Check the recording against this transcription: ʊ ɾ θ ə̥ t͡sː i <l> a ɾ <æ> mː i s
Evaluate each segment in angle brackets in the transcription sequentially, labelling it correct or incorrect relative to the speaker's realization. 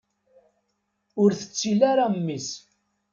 correct, incorrect: a

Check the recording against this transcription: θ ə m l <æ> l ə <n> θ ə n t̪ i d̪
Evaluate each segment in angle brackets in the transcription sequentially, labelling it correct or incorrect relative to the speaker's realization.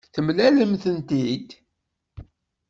correct, incorrect: m

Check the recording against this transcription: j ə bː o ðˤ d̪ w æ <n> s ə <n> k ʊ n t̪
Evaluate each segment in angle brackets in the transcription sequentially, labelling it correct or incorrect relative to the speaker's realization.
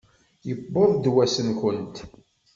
incorrect: none, correct

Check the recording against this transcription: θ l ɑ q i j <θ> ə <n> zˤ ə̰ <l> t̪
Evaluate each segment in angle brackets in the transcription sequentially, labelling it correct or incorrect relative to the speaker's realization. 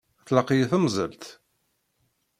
correct, incorrect: m, correct

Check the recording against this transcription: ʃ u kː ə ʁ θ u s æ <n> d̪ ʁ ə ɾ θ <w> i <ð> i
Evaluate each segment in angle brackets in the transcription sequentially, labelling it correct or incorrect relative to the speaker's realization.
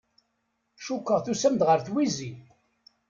incorrect: m, correct, incorrect: z

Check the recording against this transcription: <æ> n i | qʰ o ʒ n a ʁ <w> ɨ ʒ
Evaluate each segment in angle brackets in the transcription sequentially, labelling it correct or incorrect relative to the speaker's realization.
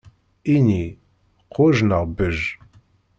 incorrect: i, incorrect: b

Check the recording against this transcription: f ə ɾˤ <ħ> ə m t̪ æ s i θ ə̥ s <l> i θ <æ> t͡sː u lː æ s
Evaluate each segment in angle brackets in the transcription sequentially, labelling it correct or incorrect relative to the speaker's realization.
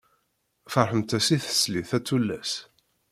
correct, correct, correct

